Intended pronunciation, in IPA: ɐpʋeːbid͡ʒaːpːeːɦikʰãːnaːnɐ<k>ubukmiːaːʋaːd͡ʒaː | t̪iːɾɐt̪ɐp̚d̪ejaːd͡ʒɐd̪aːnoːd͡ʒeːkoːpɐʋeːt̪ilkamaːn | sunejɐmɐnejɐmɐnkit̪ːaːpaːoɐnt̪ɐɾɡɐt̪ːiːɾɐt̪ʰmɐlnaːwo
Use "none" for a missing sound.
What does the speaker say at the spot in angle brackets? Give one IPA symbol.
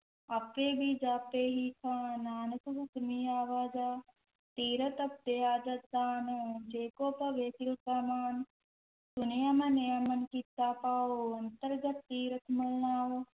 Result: k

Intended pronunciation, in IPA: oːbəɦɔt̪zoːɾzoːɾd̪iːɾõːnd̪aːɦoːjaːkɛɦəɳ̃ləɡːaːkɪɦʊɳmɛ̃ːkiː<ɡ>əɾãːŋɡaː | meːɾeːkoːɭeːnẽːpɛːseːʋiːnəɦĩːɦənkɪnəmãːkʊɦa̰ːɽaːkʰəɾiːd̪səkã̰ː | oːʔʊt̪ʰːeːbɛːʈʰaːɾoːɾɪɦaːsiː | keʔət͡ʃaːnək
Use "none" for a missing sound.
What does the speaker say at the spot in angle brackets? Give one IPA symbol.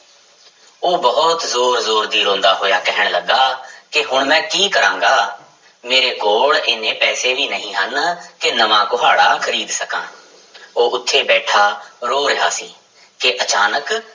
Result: k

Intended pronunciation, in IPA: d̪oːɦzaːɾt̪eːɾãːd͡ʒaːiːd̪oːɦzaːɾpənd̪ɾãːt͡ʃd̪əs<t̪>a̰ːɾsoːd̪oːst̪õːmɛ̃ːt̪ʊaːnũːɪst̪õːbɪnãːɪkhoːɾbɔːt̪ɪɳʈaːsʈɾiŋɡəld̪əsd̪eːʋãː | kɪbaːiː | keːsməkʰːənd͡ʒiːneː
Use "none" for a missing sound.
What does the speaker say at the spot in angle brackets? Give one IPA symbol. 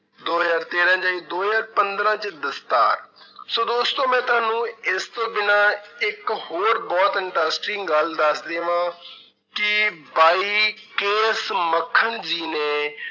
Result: t̪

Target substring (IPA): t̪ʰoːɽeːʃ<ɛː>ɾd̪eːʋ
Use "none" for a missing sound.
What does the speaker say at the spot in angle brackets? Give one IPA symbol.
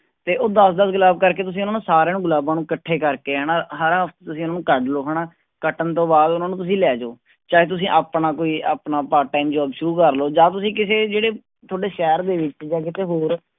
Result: ɛː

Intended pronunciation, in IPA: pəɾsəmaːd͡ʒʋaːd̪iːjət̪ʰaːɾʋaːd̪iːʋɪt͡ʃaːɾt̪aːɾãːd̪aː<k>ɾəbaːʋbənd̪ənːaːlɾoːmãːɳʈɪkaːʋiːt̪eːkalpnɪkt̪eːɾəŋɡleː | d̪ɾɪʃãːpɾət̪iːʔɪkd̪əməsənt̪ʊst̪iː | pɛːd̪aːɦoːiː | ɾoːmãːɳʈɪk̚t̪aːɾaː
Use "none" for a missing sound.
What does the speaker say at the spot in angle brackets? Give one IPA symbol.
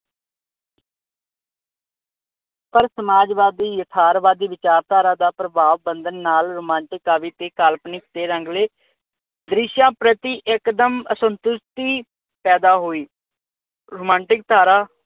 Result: p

